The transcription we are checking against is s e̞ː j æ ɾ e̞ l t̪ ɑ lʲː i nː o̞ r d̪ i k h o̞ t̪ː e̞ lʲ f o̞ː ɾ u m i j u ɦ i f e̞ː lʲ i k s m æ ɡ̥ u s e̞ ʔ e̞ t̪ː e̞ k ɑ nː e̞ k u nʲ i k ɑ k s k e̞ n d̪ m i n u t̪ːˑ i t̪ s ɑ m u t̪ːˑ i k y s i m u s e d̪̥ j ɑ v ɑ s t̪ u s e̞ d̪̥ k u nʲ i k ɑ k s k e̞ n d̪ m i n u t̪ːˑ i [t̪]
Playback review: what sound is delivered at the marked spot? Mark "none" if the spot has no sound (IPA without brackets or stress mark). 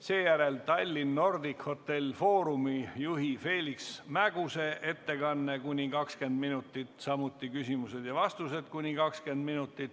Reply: t̪